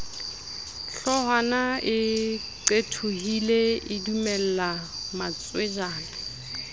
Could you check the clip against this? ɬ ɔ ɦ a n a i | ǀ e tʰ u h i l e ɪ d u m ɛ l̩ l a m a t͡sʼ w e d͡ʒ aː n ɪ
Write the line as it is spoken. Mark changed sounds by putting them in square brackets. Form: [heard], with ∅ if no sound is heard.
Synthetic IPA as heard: ɬ ɔ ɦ a n a [ɪ] | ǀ e tʰ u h i l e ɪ d u m ɛ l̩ l a m a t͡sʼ w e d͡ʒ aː n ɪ